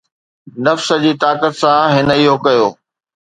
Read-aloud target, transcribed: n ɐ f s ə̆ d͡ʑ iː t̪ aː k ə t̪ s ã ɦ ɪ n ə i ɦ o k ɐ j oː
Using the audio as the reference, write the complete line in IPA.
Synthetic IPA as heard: n ɐ f s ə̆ d͡ʑ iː t̪ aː k ə t̪ s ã ɦ ɪ n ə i ɦ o k ɐ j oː